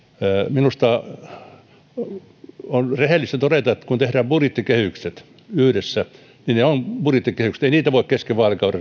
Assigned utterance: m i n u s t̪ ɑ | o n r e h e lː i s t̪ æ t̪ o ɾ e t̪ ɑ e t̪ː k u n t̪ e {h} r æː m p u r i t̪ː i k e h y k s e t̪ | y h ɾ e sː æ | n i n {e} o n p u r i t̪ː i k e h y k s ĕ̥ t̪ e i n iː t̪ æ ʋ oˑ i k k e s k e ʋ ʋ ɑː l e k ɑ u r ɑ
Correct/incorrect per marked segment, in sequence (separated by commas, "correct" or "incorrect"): correct, correct